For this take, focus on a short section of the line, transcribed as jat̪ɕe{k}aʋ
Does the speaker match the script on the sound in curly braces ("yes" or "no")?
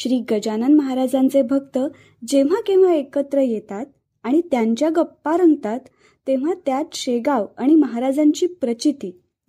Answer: no